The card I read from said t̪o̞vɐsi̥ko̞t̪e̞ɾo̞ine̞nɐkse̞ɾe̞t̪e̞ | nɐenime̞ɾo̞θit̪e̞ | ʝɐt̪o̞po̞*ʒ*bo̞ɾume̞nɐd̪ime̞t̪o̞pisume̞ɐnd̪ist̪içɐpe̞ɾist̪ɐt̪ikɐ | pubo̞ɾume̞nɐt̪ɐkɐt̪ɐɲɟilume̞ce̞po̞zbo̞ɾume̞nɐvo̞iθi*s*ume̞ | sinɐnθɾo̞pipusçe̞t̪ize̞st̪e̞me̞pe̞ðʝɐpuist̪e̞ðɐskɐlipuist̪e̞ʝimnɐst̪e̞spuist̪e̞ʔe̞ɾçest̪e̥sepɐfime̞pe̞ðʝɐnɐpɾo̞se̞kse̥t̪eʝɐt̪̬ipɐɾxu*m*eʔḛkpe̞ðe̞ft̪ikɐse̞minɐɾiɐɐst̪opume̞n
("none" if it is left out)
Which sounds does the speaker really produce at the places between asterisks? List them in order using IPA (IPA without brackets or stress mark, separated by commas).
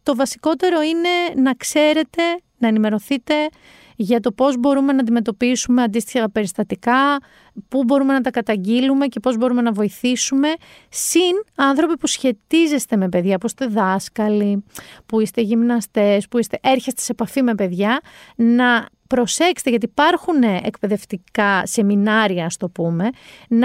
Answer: z, s, n